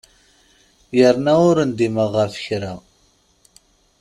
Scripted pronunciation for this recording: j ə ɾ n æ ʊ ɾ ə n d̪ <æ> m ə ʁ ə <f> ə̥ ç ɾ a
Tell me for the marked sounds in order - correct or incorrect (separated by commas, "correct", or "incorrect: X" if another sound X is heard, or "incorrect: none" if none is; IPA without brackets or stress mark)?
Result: incorrect: i, correct